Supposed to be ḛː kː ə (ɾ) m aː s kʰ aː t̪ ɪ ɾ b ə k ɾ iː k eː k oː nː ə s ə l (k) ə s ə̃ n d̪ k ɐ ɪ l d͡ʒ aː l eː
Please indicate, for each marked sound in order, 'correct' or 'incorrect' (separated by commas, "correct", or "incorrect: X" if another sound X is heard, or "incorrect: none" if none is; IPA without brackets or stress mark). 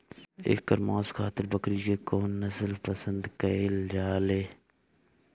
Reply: correct, incorrect: p